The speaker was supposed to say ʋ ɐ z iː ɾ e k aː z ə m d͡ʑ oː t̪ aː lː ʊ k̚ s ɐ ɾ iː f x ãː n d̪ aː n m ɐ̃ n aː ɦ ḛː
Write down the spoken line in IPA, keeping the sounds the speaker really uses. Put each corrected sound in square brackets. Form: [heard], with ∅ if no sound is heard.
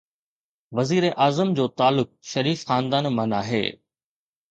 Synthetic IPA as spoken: ʋ ɐ z iː ɾ e [ʔ] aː z ə m d͡ʑ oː t̪ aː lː ʊ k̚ [ʃ] ɐ ɾ iː f x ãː n d̪ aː n m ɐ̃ n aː ɦ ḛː